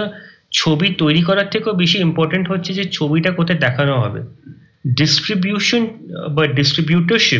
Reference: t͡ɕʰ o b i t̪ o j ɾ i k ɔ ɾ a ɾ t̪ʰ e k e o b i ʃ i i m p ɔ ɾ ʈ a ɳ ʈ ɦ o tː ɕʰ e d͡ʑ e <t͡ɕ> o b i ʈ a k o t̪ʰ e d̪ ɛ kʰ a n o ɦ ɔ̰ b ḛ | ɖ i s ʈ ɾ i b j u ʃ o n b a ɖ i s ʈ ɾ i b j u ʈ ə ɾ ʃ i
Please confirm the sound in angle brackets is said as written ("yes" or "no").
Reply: no